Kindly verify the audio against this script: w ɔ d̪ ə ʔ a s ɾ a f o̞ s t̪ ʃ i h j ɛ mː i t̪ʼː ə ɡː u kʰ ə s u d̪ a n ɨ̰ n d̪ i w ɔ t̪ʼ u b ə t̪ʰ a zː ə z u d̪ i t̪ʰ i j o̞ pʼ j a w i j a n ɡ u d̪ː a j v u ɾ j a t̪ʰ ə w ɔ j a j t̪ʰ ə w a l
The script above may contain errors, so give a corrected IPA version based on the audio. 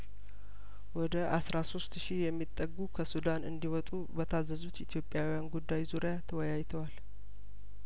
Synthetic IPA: w ɔ d̪ ə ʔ a s ɾ a s o̞ s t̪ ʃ i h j ɛ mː i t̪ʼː ə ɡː u kʰ ə s u d̪ a n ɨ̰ n d̪ i w ɔ t̪ʼ u b ə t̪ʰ a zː ə z u t̪ i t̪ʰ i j o̞ pʼ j a w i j a n ɡ u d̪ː a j z u ɾ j a t̪ʰ ə w ɔ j a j t̪ʰ ə w a l

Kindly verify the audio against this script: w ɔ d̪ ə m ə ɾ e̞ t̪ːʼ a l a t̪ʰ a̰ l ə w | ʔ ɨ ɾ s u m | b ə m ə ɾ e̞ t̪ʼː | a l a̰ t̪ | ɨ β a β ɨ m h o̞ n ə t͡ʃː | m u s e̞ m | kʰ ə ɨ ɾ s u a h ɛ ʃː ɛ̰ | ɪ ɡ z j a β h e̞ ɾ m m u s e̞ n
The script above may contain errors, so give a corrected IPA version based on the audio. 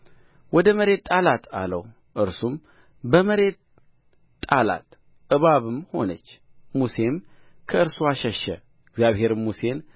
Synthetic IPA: w ɔ d̪ ə m ə ɾ e̞ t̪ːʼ a l a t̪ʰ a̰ l ə w | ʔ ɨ ɾ s u m | b ə m ə ɾ e̞ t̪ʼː | a l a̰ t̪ | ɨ β a β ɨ m h o̞ n ə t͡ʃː | m u s e̞ m | kʰ ə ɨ ɾ s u a ʃ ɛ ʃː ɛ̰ | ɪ ɡ z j a β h e̞ ɾ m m u s e̞ n

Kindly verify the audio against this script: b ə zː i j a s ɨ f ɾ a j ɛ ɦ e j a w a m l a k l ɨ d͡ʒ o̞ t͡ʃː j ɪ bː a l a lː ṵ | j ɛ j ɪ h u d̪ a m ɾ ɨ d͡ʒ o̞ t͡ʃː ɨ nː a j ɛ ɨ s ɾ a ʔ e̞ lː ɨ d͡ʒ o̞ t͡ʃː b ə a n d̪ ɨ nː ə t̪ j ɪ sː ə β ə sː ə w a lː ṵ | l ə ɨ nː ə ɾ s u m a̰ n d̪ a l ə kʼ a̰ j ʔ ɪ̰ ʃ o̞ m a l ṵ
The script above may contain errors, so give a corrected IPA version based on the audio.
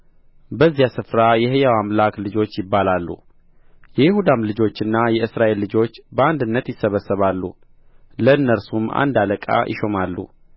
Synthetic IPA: b ə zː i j a s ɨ f ɾ a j ɛ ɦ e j a w a m l a k l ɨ d͡ʒ o̞ t͡ʃː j ɪ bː a l a lː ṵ | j ɛ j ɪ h u d̪ a m l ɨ d͡ʒ o̞ t͡ʃː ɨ nː a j ɛ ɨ s ɾ a ʔ e̞ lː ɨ d͡ʒ o̞ t͡ʃː b ə a n d̪ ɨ nː ə t̪ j ɪ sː ə β ə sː ə β a lː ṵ | l ə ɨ nː ə ɾ s u m a̰ n d̪ a l ə kʼ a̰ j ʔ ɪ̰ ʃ o̞ m a lː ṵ

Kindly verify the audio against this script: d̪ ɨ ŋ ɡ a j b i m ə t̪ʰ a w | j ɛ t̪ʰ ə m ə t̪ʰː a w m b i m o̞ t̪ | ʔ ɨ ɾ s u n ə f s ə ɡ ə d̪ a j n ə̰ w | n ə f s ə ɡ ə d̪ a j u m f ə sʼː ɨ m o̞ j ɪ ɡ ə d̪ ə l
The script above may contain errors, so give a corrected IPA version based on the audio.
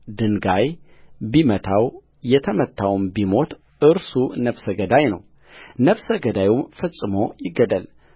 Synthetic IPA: d̪ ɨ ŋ ɡ a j b i m ə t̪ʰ a w | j ɛ t̪ʰ ə m ə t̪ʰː a w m b i m o̞ t̪ | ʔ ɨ ɾ s u n ə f s ə ɡ ə d̪ a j n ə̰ w | n ə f s ə ɡ ə d̪ a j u m f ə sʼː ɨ m o̞ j ɪ ɡ ə d̪ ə l

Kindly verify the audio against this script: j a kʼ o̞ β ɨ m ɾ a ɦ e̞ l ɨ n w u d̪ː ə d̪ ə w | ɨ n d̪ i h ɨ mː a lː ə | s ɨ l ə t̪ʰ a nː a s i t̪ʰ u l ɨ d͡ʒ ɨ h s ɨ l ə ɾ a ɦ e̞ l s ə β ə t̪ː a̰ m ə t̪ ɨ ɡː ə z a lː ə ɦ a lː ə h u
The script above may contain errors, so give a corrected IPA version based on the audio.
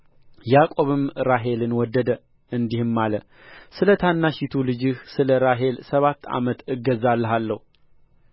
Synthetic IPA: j a kʼ o̞ β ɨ m ɾ a ɦ e̞ l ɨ n w ɔ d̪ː ə d̪ ə | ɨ n d̪ i h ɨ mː a l ə | s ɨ l ə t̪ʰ a nː a ʃ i t̪ʰ u l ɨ d͡ʒ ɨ h s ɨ l ə ɾ a ɦ e̞ l s ə β a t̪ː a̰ m ə t̪ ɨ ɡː ə z a lː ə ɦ a lː ə h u

